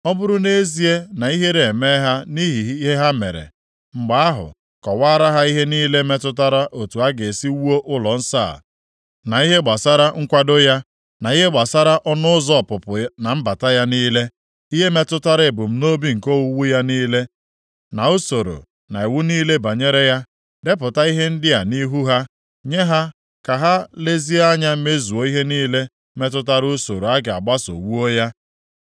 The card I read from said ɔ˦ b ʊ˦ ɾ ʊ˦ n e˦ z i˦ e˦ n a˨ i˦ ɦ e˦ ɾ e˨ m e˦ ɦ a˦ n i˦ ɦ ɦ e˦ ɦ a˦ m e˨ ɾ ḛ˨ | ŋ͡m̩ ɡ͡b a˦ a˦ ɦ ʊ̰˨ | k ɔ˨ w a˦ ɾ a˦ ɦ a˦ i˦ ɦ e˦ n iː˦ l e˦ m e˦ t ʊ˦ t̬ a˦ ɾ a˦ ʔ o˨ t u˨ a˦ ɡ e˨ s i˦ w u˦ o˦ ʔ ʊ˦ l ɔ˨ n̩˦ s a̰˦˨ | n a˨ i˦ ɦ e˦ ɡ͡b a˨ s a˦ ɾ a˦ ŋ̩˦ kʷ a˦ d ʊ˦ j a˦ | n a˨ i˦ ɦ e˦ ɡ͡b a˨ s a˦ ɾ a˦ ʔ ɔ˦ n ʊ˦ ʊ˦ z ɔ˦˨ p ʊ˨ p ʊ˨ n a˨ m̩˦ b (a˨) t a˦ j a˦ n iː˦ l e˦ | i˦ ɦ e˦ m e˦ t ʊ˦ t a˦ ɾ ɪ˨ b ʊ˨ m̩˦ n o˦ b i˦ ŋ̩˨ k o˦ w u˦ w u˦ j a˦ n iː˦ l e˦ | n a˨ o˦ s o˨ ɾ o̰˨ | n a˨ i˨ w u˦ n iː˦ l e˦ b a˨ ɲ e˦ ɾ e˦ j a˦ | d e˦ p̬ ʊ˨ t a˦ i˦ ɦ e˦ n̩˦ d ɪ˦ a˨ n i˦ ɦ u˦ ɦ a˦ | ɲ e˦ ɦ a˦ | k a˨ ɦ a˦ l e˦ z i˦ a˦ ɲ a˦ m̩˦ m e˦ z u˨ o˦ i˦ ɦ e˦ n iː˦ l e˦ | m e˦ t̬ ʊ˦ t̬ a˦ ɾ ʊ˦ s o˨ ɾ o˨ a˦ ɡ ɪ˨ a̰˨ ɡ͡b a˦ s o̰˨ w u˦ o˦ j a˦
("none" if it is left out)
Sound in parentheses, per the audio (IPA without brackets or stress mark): a˨